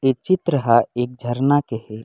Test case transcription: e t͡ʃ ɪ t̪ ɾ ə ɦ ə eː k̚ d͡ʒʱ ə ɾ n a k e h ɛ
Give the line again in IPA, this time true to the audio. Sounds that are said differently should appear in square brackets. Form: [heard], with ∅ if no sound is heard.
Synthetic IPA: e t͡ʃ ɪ t̪ ɾ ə ɦ [a] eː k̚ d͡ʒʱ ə ɾ n a k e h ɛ